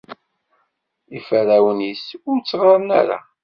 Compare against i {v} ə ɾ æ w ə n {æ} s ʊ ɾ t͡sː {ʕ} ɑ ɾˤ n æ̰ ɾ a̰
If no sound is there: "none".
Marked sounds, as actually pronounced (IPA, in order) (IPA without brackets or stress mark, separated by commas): f, i, ʁ